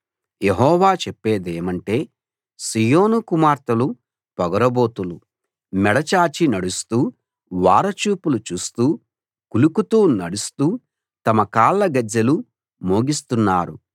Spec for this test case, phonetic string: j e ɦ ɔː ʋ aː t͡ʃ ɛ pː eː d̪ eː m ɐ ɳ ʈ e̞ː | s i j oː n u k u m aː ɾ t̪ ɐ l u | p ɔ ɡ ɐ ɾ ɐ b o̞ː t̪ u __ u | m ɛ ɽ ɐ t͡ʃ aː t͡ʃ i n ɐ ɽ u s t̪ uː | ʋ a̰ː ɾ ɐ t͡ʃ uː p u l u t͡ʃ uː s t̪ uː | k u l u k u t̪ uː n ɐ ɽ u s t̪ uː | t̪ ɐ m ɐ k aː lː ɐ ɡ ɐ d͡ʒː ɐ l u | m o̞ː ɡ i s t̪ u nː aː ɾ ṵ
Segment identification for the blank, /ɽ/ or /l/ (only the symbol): l